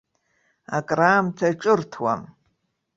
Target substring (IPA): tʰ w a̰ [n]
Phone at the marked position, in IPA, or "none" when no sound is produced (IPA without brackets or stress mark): m